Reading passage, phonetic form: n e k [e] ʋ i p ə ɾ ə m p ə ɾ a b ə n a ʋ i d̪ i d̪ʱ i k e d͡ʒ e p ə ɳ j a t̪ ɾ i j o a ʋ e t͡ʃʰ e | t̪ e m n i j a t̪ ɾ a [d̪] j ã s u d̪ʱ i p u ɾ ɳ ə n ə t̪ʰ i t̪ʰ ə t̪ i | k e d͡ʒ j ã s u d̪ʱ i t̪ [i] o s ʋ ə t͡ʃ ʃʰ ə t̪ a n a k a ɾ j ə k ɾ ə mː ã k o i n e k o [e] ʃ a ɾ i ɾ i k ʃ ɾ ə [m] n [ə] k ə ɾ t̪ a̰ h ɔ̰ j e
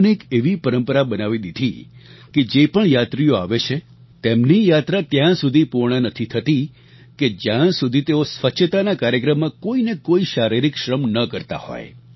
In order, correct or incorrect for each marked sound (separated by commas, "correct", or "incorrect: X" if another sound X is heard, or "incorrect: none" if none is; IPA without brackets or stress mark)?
correct, incorrect: t̪, incorrect: e, incorrect: i, correct, correct